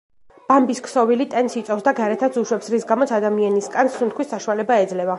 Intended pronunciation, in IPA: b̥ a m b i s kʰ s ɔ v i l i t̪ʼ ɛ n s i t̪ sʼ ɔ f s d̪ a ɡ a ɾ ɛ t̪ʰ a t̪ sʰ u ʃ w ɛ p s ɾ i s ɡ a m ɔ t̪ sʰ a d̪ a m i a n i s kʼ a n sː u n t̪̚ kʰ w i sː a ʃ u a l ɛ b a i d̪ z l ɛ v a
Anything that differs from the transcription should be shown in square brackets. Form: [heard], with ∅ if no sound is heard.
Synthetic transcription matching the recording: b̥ a m b i s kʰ s ɔ v i l i t̪ʼ ɛ n s i t̪ sʼ ɔ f s d̪ a ɡ a ɾ ɛ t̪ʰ a t̪ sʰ u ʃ w ɛ p s ɾ i s ɡ a m ɔ t̪ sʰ a d̪ a m i a n i s kʼ a n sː u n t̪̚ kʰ w i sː a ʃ u a l ɛ b a [ɛ] d̪ z l ɛ v a